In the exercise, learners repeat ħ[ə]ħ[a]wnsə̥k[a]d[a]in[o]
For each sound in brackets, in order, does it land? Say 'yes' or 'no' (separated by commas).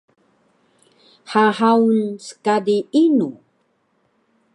no, yes, yes, no, no